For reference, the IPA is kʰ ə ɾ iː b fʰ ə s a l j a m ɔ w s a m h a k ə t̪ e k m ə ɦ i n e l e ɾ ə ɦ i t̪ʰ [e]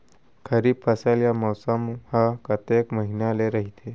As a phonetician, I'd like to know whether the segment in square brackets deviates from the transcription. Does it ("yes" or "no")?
no